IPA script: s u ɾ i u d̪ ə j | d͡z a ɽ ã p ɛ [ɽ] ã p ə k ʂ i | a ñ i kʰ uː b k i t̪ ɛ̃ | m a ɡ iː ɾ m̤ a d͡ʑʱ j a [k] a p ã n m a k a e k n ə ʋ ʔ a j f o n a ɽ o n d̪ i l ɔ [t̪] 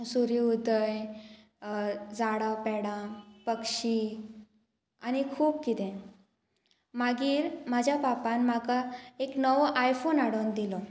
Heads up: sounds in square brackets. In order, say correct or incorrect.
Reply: correct, incorrect, incorrect

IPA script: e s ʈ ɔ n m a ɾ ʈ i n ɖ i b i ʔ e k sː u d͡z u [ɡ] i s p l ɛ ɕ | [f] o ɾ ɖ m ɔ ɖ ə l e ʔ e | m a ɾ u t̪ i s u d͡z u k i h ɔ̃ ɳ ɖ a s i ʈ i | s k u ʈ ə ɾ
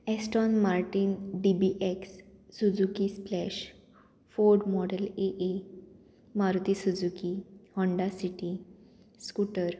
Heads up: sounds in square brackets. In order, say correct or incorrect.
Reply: incorrect, correct

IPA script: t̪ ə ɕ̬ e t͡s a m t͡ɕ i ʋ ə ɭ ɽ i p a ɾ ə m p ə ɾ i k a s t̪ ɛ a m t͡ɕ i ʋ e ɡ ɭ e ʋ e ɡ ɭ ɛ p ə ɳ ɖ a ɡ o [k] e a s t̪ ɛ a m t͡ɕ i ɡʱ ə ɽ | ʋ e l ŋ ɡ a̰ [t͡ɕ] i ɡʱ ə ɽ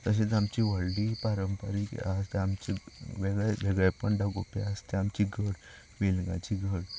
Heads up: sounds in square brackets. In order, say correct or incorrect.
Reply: incorrect, correct

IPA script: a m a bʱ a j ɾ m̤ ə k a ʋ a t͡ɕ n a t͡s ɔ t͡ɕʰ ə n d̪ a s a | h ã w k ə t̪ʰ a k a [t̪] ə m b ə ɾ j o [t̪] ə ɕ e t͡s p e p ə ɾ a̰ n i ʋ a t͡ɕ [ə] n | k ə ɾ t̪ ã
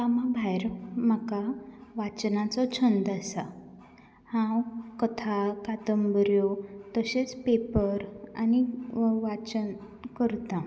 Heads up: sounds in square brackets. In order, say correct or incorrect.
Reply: correct, correct, correct

